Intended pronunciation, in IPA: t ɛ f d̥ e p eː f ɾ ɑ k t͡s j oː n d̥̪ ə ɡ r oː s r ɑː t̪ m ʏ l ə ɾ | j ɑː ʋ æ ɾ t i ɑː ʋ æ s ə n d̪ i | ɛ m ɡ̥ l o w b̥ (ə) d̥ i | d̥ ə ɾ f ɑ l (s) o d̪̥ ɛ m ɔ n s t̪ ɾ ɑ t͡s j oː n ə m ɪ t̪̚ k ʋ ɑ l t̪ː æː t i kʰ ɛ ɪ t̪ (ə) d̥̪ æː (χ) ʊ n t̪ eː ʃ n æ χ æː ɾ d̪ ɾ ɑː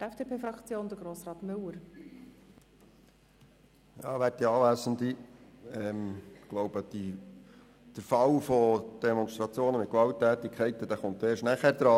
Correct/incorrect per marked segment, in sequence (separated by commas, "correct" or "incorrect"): correct, incorrect, correct, correct